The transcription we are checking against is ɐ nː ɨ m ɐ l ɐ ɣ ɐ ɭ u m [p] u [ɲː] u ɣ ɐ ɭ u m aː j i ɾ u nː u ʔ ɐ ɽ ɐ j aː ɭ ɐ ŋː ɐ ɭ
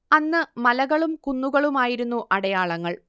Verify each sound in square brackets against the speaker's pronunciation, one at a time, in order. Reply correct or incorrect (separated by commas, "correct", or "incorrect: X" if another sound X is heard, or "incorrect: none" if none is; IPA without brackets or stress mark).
incorrect: k, incorrect: nː